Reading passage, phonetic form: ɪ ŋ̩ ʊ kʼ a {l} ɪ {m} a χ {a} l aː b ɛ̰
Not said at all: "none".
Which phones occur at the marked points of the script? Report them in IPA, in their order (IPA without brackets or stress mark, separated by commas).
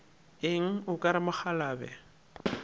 ɾ, m, a